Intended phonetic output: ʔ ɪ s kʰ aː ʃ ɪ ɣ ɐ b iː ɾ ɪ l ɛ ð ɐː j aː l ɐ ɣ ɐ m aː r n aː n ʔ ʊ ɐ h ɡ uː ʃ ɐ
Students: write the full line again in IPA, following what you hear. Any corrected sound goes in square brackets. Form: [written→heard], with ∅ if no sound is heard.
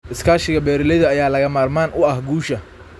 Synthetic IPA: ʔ ɪ s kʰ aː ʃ ɪ ɣ ɐ b [iː→ɛː] ɾ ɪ l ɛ ð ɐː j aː l ɐ ɣ ɐ m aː r [n→m] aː n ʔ ʊ ɐ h ɡ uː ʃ ɐ